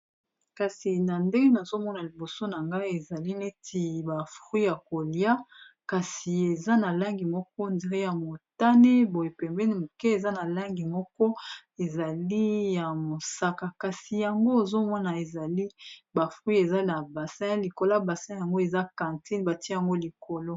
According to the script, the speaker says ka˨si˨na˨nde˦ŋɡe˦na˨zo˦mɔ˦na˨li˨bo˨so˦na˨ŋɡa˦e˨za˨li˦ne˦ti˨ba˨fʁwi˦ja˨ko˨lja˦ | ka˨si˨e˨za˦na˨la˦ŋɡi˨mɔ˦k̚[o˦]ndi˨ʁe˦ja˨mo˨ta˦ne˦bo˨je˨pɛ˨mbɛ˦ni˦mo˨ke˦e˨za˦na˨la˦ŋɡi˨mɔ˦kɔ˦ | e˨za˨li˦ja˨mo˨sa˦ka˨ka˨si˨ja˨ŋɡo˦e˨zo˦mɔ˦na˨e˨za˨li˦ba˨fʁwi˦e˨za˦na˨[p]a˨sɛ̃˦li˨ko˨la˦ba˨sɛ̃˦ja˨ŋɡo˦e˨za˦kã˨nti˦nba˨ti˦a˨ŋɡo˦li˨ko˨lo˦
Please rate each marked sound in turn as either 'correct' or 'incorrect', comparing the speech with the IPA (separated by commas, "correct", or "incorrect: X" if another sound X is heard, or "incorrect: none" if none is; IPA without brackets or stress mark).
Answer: incorrect: ɔ˦, incorrect: b